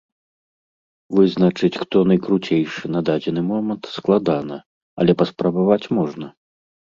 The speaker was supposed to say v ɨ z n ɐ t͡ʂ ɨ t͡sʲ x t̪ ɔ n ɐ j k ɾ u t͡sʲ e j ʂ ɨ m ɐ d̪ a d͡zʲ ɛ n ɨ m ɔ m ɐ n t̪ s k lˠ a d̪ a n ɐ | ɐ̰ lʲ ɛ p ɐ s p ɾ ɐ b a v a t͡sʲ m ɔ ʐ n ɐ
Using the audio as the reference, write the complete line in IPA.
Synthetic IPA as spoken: v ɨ z n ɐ t͡ʂ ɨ t͡sʲ x t̪ ɔ n ɐ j k ɾ u t͡sʲ e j ʂ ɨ n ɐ d̪ a d͡zʲ ɛ n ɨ m ɔ m ɐ n t̪ s k lˠ a d̪ a n ɐ | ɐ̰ lʲ ɛ p ɐ s p ɾ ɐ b a v a t͡sʲ m ɔ ʐ n ɐ